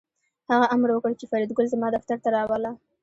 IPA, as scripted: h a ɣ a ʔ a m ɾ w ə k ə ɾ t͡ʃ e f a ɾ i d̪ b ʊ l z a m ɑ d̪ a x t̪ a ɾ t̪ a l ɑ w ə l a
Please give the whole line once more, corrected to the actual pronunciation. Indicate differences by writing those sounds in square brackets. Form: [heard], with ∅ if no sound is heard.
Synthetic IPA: h a ɣ a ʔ a m ɾ w ə k ə [ɽ] t͡ʃ e f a ɾ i d̪ [ɡ] ʊ l z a m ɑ d̪ a [f] t̪ a ɾ t̪ a [ɾ] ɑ w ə l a